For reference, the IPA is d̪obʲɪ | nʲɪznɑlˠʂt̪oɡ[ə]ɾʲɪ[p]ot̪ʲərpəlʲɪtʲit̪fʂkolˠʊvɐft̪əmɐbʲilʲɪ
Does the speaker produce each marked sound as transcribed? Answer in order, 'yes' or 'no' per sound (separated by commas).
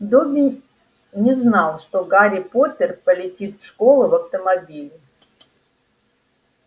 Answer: no, yes